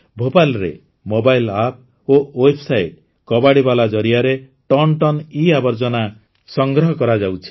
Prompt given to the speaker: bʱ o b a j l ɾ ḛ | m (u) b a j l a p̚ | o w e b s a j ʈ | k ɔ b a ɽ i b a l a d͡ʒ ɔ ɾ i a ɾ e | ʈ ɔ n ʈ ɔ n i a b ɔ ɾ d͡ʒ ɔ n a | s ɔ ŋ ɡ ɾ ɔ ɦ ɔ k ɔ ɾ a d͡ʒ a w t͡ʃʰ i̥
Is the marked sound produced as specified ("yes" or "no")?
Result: no